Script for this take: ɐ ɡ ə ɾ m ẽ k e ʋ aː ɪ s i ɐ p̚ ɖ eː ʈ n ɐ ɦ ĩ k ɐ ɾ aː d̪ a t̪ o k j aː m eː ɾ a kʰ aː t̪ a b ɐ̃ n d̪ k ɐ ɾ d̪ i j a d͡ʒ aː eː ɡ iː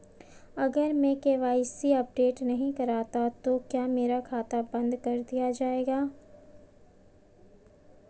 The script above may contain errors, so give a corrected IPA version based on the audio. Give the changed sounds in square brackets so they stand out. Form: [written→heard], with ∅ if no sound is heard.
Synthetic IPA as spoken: ɐ ɡ ə ɾ m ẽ k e ʋ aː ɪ s i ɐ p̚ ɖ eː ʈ n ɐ ɦ ĩ k ɐ ɾ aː [d̪→t̪] a t̪ o k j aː m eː ɾ a kʰ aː t̪ a b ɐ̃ n d̪ k ɐ ɾ d̪ i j a d͡ʒ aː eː ɡ [iː→aː]